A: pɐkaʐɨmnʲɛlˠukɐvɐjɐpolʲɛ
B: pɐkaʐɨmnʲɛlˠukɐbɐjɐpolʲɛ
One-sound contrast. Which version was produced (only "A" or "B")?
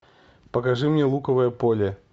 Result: A